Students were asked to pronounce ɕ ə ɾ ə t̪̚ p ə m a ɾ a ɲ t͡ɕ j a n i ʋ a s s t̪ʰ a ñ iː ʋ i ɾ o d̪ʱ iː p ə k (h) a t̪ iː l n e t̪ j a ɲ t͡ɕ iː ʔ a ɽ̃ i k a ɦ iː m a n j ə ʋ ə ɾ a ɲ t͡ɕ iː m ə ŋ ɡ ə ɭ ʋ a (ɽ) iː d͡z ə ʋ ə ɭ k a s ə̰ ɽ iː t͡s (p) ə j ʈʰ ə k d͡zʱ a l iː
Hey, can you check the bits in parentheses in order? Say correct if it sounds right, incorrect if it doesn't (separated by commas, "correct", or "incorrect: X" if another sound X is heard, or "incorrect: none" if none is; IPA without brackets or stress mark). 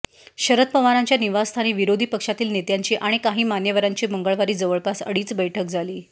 incorrect: ʂ, incorrect: ɾ, incorrect: b